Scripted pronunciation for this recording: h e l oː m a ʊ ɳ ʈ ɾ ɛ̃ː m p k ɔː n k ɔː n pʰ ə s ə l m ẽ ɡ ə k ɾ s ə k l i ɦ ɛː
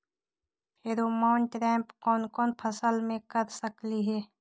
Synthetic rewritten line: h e ɾ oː m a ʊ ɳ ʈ ɾ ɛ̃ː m p k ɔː n k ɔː n pʰ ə s ə l m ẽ k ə ɾ s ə k l i ɦ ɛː